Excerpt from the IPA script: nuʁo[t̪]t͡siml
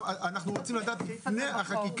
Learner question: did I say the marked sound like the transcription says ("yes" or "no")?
no